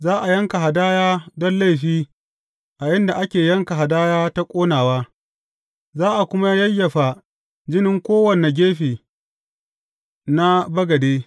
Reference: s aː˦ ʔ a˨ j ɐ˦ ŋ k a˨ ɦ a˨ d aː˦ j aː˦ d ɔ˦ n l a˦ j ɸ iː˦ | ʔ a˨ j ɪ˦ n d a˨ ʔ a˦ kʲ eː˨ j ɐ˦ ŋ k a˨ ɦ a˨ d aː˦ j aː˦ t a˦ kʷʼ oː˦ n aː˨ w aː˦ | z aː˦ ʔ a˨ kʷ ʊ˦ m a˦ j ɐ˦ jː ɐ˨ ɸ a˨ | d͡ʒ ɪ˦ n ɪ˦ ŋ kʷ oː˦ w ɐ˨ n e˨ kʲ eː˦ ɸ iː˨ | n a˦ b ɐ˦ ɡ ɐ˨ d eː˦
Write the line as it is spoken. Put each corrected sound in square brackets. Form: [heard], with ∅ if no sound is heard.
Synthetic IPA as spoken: [z] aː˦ ʔ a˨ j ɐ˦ ŋ k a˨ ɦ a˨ d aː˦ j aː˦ d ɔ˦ n l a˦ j ɸ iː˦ | ʔ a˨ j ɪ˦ n d a˨ ʔ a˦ kʲ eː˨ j ɐ˦ ŋ k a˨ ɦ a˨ d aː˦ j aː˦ t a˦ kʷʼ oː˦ n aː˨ w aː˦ | z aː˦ ʔ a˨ kʷ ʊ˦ m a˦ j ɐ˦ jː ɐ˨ ɸ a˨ | d͡ʒ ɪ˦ n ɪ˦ ŋ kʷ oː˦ w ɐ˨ n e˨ [ɡʲ] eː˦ ɸ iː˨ | n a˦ b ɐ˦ ɡ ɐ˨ d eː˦